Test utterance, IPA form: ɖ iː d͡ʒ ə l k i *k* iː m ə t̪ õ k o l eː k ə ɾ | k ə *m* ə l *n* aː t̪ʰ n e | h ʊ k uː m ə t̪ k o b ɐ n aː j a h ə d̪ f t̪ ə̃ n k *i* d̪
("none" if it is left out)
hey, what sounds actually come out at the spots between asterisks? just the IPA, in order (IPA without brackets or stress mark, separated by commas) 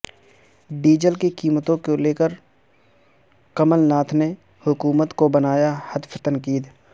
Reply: k, m, n, iː